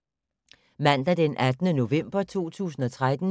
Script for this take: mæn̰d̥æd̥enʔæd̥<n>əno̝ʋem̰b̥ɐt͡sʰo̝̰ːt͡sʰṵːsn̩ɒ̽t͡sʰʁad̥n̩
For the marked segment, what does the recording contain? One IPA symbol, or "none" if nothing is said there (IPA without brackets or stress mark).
n